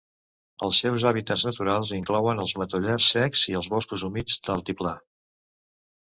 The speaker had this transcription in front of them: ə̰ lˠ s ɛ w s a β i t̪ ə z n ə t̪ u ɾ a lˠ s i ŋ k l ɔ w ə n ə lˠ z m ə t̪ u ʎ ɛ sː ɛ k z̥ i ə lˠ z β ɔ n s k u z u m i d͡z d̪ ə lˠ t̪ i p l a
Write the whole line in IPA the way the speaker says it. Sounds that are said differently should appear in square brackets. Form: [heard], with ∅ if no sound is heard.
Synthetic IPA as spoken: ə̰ lˠ s ɛ w [z] a β i t̪ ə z n ə t̪ u ɾ a lˠ [z] i ŋ k l ɔ w ə n ə lˠ z m ə t̪ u ʎ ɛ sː ɛ k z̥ i ə lˠ z β ɔ [∅] s k u z u m i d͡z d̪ ə lˠ t̪ i p l a